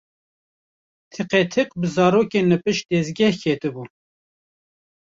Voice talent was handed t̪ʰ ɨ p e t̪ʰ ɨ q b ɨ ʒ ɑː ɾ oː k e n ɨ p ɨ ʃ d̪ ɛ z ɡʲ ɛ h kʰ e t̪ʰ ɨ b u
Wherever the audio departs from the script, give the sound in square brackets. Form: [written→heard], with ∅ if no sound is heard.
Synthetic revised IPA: t̪ʰ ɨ [p→q] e t̪ʰ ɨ q b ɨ [ʒ→z] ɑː ɾ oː k e n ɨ p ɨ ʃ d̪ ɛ z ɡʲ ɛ h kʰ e [t̪ʰ→t̪] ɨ b u